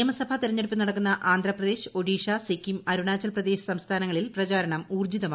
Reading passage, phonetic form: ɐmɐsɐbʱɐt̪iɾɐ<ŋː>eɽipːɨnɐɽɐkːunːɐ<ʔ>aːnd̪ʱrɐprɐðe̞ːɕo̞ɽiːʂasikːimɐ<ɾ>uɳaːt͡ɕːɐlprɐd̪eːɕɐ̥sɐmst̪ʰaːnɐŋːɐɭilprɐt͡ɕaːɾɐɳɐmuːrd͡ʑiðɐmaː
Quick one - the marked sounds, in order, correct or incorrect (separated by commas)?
incorrect, correct, correct